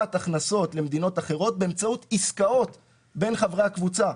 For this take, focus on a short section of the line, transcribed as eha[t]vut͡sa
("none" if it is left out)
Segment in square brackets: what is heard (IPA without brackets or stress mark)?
k